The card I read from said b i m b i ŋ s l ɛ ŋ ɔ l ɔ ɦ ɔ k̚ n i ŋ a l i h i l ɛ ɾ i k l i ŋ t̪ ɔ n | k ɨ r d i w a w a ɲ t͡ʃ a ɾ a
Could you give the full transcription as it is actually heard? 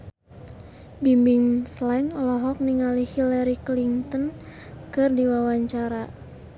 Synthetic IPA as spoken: b i m b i ŋ s l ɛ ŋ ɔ l ɔ ɦ ɔ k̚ n i ŋ a l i h i l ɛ ɾ i k l i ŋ t̪ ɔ n | k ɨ r d i w a w a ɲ t͡ʃ a ɾ a